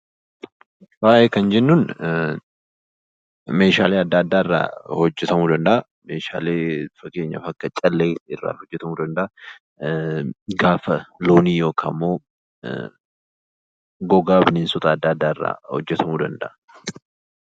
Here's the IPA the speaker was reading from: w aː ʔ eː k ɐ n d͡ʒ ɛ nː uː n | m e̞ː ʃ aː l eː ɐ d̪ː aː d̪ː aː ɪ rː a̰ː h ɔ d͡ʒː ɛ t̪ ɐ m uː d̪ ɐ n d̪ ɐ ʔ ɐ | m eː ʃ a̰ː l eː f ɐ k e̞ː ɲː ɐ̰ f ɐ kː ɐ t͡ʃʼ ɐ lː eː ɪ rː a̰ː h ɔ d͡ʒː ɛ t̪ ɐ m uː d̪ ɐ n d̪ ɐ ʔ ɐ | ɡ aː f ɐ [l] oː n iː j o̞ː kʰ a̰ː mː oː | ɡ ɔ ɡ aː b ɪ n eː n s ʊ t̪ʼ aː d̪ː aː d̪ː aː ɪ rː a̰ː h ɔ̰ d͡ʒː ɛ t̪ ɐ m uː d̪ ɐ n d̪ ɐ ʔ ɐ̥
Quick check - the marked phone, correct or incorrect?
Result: correct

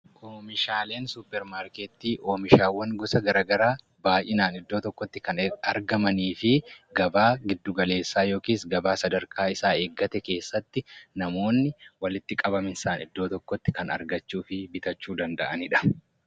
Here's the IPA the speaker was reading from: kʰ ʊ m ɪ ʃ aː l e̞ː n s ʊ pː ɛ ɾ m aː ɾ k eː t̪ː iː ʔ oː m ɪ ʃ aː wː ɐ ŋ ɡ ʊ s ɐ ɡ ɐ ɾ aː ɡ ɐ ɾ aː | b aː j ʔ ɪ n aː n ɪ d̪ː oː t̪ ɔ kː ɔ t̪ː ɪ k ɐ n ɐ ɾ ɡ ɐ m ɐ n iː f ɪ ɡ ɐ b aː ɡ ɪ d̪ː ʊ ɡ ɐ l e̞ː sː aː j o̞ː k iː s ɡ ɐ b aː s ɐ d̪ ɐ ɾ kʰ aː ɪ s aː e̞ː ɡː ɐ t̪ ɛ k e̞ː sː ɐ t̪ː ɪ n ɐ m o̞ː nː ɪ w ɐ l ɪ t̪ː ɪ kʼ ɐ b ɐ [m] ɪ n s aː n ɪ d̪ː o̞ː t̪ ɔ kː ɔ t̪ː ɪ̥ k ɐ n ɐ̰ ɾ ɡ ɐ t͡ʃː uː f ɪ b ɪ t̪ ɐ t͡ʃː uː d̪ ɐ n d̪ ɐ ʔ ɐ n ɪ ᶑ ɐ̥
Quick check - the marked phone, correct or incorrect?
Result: correct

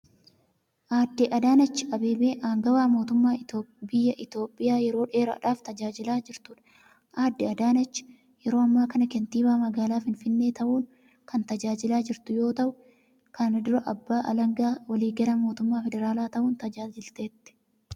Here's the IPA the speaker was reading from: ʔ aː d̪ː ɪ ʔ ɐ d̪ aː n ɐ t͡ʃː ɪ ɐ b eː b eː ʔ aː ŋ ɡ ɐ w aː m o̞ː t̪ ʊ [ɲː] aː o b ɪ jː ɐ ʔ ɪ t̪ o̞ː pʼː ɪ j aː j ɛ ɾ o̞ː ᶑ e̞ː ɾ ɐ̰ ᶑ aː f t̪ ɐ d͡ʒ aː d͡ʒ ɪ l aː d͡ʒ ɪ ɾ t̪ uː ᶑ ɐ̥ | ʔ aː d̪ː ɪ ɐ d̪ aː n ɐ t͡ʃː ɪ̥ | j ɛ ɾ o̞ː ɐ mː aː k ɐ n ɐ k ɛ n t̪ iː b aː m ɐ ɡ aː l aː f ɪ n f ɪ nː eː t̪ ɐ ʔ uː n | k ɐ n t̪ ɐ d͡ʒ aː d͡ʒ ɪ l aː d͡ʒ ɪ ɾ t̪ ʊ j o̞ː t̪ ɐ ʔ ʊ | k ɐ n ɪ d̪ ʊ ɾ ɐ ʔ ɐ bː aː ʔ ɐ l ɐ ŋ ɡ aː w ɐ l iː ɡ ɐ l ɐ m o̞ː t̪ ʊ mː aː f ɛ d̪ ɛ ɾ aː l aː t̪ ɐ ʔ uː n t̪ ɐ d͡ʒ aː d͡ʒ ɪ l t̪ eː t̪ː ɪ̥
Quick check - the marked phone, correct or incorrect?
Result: incorrect: mː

